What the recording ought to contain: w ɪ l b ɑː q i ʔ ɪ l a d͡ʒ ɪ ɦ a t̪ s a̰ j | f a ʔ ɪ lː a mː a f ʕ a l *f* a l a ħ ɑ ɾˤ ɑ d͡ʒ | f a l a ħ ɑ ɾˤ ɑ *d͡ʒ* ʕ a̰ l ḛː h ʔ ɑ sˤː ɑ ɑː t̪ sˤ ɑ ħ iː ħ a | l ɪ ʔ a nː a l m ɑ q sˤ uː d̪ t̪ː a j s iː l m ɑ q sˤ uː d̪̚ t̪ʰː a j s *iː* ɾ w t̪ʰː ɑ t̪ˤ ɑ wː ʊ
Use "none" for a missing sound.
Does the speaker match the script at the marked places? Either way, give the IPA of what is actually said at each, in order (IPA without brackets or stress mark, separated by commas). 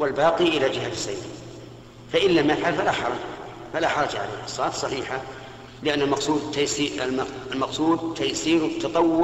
f, d͡ʒ, iː